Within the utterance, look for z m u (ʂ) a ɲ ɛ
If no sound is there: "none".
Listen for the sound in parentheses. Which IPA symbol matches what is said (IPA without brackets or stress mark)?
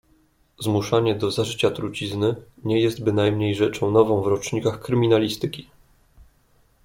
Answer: ʂ